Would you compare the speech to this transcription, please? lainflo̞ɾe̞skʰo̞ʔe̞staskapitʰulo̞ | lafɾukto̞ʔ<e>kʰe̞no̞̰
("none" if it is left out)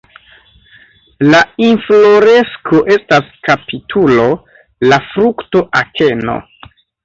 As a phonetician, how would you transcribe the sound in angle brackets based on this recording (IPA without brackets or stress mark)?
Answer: a